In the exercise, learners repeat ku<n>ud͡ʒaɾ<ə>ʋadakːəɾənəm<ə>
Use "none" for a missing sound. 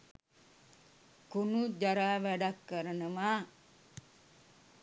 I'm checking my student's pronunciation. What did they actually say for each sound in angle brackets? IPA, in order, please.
n, a, a

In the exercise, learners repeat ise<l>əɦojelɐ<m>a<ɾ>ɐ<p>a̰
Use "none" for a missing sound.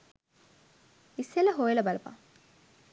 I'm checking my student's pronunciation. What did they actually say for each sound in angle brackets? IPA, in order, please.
l, b, l, p

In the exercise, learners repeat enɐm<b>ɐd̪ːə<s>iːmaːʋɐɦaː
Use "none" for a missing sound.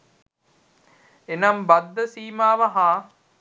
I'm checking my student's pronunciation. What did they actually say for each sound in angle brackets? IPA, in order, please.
b, s

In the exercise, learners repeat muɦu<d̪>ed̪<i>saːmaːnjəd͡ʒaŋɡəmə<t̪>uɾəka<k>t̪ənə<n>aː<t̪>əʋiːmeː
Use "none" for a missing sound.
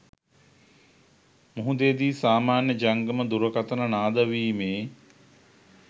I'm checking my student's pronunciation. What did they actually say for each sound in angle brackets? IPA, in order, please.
d̪, iː, d̪, none, n, d̪

